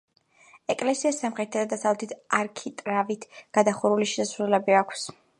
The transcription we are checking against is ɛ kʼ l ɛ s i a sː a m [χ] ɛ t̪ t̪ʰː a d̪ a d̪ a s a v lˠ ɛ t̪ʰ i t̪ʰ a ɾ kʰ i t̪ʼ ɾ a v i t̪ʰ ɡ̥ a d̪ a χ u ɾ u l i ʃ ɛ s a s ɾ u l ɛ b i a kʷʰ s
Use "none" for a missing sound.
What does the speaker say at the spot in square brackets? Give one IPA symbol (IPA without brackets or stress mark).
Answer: χ